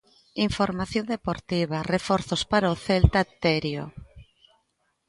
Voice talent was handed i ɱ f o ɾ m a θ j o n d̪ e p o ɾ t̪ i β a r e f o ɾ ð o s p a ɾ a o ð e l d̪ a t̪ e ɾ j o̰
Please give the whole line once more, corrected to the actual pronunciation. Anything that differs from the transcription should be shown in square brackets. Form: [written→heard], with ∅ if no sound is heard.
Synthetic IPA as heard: i ɱ f o ɾ m a θ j o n d̪ e p o ɾ t̪ i β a r e f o ɾ [ð→θ] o s p a ɾ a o [ð→θ] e l [d̪→t̪] a t̪ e ɾ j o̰

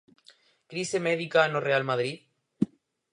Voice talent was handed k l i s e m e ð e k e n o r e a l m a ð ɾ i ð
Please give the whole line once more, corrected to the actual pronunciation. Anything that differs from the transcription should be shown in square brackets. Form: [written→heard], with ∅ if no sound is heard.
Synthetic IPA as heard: k [l→ɾ] i s e m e ð [e→i] k [e→a] n o r e a l m a ð ɾ i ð

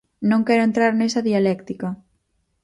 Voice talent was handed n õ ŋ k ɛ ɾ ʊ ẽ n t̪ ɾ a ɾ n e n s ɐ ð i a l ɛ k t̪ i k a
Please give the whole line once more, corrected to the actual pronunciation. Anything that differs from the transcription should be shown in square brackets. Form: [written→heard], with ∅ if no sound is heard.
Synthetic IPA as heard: n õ ŋ k ɛ ɾ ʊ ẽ n t̪ ɾ a ɾ n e [n→∅] s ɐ ð i a l ɛ k t̪ i k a

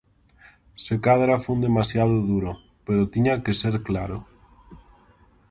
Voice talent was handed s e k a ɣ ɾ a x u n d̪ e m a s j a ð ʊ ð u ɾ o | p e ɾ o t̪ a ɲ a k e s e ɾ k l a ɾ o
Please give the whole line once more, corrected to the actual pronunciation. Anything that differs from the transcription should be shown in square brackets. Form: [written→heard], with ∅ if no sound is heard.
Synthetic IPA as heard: s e k a [ɣ→ð] ɾ a [x→f] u n d̪ e m a s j a ð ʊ ð u ɾ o | p e ɾ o t̪ [a→i] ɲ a k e s e ɾ k l a ɾ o

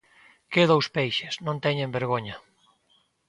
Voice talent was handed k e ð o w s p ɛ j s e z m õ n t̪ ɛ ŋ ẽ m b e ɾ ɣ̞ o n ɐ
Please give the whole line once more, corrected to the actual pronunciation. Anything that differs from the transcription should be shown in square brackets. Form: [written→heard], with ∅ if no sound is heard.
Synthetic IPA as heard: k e ð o w s p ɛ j [s→ʃ] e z [m→n] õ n t̪ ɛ [ŋ→ɲ] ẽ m b e ɾ ɣ̞ o [n→ɲ] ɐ

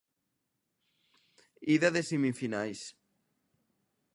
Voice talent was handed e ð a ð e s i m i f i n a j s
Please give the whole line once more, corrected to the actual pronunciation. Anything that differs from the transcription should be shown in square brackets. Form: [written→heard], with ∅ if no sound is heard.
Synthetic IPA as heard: [e→i] ð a ð e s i m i f i n a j s

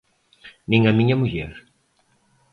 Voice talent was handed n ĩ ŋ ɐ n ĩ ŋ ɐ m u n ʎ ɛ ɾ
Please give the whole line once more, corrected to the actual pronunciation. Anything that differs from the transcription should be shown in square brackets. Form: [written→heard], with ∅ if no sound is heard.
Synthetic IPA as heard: n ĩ ŋ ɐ [n→m] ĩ [ŋ→ɲ] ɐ m u [n→∅] ʎ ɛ ɾ

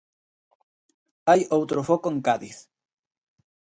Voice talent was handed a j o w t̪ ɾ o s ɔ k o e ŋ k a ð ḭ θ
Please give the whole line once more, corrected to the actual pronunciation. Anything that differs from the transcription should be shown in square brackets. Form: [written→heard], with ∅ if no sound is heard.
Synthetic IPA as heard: a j o w t̪ ɾ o [s→f] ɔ k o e ŋ k a ð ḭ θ

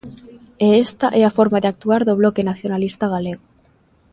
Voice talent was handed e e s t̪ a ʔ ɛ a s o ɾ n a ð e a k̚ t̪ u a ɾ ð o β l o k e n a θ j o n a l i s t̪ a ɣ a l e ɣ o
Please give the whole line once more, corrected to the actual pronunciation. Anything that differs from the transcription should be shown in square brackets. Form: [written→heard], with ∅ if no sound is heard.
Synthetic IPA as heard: e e s t̪ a ʔ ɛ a [s→f] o ɾ [n→m] a ð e a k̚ t̪ u a ɾ ð o β l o k e n a θ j o n a l i s t̪ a ɣ a l e ɣ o

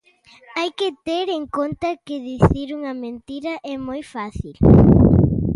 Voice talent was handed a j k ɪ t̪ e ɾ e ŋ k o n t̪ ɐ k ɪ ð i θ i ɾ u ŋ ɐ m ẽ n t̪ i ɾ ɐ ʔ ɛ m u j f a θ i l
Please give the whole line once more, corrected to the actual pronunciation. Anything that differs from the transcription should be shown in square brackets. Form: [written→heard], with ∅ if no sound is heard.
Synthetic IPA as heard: a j k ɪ t̪ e ɾ e ŋ k o n t̪ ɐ k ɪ ð i θ i ɾ u ŋ ɐ m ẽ n t̪ i ɾ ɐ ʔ ɛ m [u→o] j f a θ i l

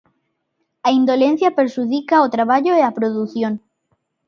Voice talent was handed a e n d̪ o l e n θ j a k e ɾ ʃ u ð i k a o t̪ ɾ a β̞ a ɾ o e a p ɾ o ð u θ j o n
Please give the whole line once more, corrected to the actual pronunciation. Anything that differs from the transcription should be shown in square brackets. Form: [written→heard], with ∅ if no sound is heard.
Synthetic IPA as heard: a [e→i] n d̪ o l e n θ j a [k→p] e ɾ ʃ u ð i k a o t̪ ɾ a β̞ a [ɾ→ʎ] o e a p ɾ o ð u θ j o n

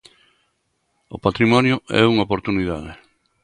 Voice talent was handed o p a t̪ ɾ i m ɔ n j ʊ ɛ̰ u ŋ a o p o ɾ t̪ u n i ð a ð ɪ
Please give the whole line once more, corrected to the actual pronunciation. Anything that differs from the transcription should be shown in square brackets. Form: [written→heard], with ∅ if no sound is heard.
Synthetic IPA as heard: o p a t̪ ɾ i m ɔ n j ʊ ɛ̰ u ŋ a o p o ɾ t̪ u n i ð a ð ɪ

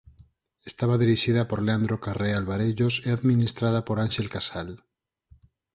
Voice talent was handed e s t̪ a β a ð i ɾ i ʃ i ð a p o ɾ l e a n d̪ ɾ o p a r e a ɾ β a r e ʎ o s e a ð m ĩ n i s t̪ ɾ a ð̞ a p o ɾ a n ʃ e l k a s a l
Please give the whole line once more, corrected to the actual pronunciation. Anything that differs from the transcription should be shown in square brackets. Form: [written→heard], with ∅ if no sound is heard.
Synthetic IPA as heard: e s t̪ a β a ð i ɾ i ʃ i ð a p o ɾ l e a n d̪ ɾ o [p→k] a r e a [ɾ→l] β a [r→ɾ] e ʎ o s e a ð m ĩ n i s t̪ ɾ a ð̞ a p o ɾ a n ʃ e l k a s a l

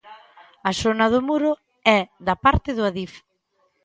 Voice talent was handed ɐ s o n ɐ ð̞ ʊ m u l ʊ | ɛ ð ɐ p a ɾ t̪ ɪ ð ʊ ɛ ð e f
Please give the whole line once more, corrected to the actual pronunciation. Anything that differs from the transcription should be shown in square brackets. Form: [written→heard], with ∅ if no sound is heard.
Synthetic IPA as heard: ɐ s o n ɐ ð̞ ʊ m u [l→ɾ] ʊ | ɛ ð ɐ p a ɾ t̪ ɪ ð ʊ [ɛ→a] ð [e→i] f

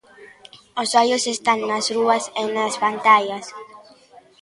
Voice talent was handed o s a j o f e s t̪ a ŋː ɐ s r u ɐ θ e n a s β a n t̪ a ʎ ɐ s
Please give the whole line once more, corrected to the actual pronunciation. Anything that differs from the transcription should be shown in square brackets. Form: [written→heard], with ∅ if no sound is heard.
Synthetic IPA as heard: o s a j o [f→s] e s t̪ a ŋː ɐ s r u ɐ [θ→s] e n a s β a n t̪ a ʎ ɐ s

